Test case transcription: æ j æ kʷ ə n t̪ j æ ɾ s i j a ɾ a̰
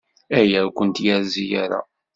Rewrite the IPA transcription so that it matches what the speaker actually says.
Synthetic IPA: æ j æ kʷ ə n t̪ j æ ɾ z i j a ɾ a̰